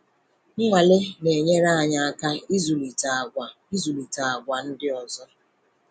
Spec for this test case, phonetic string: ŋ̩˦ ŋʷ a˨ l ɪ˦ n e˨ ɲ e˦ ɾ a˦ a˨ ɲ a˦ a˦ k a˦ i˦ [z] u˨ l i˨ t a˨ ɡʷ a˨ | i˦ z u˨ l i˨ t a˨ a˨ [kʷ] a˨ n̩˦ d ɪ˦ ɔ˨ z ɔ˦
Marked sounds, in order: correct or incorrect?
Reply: correct, incorrect: ɡʷ

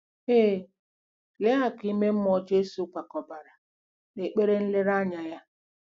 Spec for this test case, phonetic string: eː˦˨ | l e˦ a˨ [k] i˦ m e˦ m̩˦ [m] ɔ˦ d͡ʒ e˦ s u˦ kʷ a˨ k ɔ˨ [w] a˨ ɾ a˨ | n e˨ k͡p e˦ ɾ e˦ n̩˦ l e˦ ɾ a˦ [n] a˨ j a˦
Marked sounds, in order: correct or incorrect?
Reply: correct, correct, incorrect: b, incorrect: ɲ

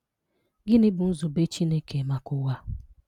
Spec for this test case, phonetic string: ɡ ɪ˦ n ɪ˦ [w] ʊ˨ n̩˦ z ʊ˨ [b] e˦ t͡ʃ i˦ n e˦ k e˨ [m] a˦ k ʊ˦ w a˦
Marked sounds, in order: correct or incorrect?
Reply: incorrect: b, correct, correct

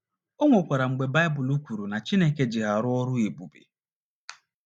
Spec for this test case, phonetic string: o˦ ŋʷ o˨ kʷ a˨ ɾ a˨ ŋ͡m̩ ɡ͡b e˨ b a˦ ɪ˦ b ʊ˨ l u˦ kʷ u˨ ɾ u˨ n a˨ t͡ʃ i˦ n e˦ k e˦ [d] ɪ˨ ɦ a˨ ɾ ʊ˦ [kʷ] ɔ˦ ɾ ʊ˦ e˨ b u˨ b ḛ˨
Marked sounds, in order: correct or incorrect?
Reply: incorrect: d͡ʒ, incorrect: none

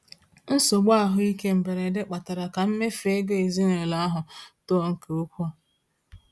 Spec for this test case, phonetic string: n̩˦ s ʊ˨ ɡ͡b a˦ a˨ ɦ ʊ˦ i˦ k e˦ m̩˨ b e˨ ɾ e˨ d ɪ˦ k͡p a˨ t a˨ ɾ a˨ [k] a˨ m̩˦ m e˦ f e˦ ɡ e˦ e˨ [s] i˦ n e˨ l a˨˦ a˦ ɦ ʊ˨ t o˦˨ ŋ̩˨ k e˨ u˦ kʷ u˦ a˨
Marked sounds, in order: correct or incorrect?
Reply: correct, incorrect: z

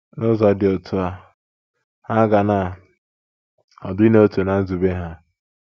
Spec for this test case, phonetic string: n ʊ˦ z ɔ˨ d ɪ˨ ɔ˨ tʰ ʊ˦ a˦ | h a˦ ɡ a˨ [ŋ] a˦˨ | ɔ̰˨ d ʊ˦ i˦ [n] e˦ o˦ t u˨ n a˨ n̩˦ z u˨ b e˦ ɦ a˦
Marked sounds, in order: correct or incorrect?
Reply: incorrect: n, correct

